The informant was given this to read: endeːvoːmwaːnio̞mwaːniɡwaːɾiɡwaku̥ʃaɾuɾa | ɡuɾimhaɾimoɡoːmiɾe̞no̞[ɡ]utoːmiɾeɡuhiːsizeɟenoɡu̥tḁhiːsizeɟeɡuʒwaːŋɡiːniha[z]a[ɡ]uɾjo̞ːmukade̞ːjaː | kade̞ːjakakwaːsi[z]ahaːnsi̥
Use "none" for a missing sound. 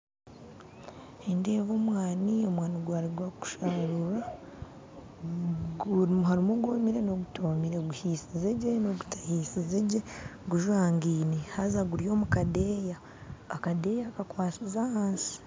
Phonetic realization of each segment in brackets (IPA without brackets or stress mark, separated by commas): ɡ, z, ɡ, z